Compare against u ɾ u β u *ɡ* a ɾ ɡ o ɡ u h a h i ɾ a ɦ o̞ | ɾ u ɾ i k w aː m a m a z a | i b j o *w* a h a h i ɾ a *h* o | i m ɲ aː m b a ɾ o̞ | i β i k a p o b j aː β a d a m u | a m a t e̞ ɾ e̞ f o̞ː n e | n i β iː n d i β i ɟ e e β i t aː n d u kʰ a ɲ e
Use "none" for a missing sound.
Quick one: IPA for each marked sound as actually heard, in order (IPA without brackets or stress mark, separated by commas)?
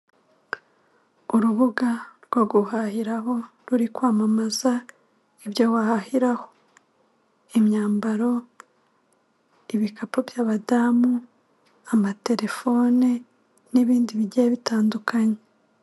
ɡ, w, h